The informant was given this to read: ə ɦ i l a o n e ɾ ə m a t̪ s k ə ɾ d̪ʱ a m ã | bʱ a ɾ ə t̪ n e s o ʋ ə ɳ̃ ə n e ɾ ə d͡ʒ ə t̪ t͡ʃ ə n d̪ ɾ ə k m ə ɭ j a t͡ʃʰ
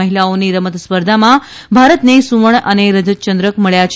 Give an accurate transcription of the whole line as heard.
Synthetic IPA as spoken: ə ɦ i l a o n i ɾ ə m ə t̪ s p ə ɾ d̪ʱ a m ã | bʱ a ɾ ə t̪ n e s u ʋ ə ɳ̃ ə n e ɾ ə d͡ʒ ə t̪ t͡ʃ ə n d̪ ɾ ə k m ə ɭ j a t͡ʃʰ

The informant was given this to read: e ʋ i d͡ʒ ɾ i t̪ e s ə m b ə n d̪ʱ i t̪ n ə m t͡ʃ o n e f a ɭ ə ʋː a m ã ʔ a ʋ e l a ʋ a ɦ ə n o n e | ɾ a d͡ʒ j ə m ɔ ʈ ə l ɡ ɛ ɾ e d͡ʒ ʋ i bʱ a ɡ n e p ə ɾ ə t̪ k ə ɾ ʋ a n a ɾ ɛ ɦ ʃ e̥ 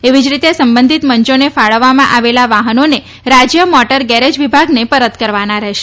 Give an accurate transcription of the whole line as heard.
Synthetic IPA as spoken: e ʋ i d͡ʒ ɾ i t̪ e s ə m b ə n d̪ʱ i t̪ m ə ɲ t͡ʃ o n e f a ɭ ə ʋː a m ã ʔ a ʋ e l a ʋ a ɦ ə n o n e | ɾ a d͡ʒ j ə m ɔ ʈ ə ɾ ɡ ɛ ɾ e d͡ʒ ʋ i bʱ a ɡ n e p ə ɾ ə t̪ k ə ɾ ʋ a n a ɾ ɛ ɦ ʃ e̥

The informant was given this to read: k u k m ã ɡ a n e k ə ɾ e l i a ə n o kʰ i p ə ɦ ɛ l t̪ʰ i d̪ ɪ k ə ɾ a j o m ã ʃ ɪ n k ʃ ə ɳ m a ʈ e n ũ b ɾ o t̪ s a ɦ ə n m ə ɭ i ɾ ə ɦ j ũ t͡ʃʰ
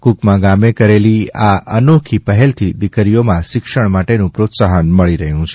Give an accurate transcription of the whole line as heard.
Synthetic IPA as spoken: k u k m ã ɡ a m e k ə ɾ e l i a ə n o kʰ i p ə ɦ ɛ l t̪ʰ i d̪ ɪ k ə ɾ i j o m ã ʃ ɪ k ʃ ə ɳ m a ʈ e n ũ p ɾ o t̪ s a ɦ ə n m ə ɭ i ɾ ə ɦ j ũ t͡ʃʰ

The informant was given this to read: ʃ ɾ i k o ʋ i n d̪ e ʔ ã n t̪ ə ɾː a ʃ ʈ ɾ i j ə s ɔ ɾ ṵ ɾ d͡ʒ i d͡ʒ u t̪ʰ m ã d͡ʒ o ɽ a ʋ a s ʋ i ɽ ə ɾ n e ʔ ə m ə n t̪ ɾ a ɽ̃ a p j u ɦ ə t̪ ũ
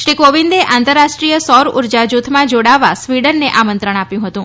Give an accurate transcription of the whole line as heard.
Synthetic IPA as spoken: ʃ ɾ i k o ʋ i n d̪ e ʔ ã n t̪ ə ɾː a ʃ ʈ ɾ i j ə s ɔ ɾ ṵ ɾ d͡ʒ a d͡ʒ u t̪ʰ m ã d͡ʒ o ɽ a ʋ a s ʋ i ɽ ə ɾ n e ʔ a m ə n t̪ ɾ ə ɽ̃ a p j ũ ɦ ə t̪ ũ

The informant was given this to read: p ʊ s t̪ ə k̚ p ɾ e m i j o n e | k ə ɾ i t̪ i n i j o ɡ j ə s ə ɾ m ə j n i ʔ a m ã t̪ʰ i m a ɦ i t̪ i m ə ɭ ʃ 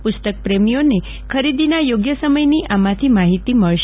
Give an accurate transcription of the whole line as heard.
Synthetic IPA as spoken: p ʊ s t̪ ə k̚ p ɾ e m i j o n e | kʰ ə ɾ i d̪ i n a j o ɡ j ə s ə m ə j n i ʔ a m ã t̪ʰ i m a ɦ i t̪ i m ə ɭ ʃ

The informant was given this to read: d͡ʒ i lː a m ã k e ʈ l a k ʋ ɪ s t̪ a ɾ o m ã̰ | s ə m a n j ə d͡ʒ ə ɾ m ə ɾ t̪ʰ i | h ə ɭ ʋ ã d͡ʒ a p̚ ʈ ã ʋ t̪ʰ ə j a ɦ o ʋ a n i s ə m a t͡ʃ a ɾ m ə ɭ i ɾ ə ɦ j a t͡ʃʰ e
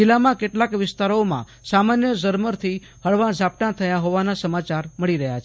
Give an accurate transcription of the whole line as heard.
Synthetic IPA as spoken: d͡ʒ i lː a m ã k e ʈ l a k ʋ ɪ s t̪ a ɾ o m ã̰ | s a m a n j ə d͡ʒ ə ɾ m ə ɾ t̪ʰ i | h ə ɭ ʋ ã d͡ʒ a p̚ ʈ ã t̪ʰ ə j a ɦ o ʋ a n a s ə m a t͡ʃ a ɾ m ə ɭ i ɾ ə ɦ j a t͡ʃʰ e

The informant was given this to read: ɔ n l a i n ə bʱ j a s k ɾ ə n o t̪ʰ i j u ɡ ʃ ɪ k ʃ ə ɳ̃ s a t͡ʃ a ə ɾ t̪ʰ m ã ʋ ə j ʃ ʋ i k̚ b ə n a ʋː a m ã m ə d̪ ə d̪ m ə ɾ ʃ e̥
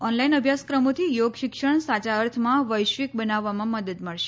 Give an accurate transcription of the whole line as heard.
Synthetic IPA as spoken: ɔ n l a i n ə bʱ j a s k ɾ ə m o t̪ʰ i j o ɡ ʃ ɪ k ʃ ə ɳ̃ s a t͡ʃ a ə ɾ t̪ʰ m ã ʋ ə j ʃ ʋ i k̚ b ə n a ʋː a m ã m ə d̪ ə d̪ m ə ɭ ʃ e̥

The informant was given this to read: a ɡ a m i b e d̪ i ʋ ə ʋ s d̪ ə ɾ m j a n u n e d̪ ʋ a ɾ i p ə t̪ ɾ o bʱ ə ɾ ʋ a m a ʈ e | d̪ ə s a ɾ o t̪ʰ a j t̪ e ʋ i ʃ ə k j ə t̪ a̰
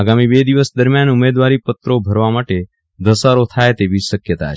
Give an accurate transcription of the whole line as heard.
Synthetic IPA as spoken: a ɡ a m i b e d̪ i ʋ ə s d̪ ə ɾ m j a n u m e d̪ ʋ a ɾ i p ə t̪ ɾ o bʱ ə ɾ ʋ a m a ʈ e | d̪ ə s a ɾ o t̪ʰ a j t̪ e ʋ i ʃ ə k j ə t̪ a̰

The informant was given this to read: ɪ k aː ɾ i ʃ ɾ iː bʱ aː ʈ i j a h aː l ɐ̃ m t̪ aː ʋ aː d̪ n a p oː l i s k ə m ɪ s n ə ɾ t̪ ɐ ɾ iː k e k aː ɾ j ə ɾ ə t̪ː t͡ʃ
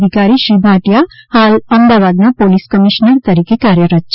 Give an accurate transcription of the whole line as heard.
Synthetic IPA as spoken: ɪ k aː ɾ i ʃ ɾ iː bʱ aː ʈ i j a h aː l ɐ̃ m d̪ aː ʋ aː d̪ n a p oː l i s k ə m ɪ ʃ n ə ɾ t̪ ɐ ɾ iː k e k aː ɾ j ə ɾ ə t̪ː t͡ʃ

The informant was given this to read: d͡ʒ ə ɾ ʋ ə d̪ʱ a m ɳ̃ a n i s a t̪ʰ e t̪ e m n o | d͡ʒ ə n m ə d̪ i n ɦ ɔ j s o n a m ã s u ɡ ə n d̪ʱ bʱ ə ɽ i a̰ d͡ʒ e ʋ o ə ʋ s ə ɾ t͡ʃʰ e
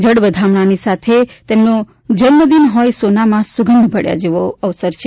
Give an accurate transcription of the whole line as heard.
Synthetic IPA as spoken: d͡ʒ ə ɽ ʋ ə d̪ʱ a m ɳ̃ a n i s a t̪ʰ e t̪ e m n o | d͡ʒ ə n m ə d̪ i n ɦ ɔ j s o n a m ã s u ɡ ə n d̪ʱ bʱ ə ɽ j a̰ d͡ʒ e ʋ o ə ʋ s ə ɾ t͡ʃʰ e

